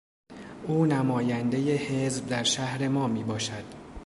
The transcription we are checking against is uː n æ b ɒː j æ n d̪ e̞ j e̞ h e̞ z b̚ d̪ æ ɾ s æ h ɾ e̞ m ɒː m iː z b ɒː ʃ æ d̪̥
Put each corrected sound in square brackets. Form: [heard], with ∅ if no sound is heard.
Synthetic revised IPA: uː n æ [m] ɒː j æ n d̪ e̞ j e̞ h e̞ z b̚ d̪ æ ɾ [ʃ] æ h ɾ e̞ m ɒː m iː [∅] b ɒː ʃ æ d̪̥